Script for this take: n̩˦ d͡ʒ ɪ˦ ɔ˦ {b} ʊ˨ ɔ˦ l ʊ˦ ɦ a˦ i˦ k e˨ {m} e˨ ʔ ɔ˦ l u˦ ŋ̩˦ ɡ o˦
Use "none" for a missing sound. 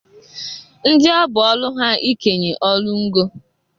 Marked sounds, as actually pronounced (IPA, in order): b, ɲ

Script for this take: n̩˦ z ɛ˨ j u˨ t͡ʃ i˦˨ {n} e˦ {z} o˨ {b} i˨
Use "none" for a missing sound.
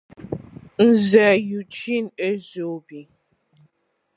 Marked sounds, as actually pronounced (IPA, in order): n, z, b

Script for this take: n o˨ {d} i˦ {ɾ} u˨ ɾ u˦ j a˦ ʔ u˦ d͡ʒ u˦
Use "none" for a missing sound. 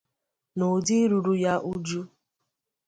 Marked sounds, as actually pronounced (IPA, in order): d, ɾ

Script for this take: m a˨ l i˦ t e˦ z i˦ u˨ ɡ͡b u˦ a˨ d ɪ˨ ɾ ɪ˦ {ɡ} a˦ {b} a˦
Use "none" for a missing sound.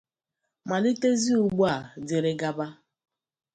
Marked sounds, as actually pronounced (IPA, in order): ɡ, b

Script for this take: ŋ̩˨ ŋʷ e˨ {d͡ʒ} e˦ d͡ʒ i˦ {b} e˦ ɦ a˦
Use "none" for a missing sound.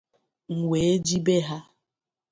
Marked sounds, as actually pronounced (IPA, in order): none, b

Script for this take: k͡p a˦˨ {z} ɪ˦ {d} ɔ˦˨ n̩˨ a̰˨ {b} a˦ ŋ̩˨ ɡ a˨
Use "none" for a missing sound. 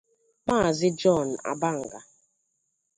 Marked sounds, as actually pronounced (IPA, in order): z, d͡ʒ, b

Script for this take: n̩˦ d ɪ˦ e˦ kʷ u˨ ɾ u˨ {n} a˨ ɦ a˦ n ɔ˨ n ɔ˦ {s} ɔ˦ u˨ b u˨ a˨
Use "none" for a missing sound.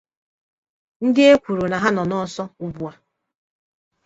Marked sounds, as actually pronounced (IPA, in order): n, s

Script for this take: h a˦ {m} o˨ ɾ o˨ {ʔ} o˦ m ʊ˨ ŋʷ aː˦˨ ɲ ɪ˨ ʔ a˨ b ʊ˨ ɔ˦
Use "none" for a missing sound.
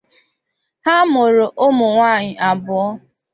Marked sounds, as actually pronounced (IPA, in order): m, ʔ

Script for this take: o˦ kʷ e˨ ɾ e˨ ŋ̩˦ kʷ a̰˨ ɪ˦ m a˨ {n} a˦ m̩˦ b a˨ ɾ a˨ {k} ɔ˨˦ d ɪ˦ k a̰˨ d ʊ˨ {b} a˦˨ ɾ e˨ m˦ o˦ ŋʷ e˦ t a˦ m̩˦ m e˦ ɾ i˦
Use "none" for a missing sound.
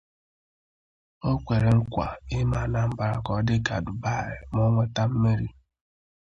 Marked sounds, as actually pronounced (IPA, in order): n, k, b

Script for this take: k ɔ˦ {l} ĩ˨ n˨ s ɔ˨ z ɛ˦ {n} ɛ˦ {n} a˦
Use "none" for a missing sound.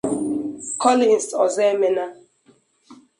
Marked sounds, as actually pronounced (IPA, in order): l, m, n

